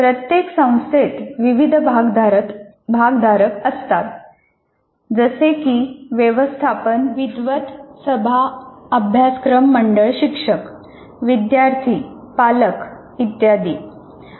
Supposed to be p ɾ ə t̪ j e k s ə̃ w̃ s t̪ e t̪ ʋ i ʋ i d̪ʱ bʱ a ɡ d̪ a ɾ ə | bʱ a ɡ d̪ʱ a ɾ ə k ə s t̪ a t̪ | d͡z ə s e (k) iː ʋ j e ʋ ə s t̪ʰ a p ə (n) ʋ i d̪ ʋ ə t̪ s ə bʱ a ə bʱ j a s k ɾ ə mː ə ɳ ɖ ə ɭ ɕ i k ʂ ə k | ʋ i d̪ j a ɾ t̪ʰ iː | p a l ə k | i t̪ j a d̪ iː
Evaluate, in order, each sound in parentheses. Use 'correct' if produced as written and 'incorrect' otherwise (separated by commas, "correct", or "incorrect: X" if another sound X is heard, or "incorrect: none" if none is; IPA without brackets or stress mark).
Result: correct, correct